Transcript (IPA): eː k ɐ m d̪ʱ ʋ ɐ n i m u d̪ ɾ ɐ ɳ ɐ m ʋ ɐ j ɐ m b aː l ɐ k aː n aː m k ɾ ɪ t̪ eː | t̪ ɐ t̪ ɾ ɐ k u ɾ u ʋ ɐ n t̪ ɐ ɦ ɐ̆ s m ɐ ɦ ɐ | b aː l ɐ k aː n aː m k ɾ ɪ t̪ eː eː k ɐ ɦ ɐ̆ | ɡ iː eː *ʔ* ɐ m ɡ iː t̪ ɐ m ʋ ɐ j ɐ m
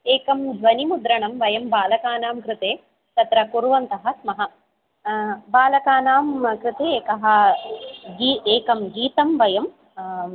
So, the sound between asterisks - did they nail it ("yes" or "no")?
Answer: no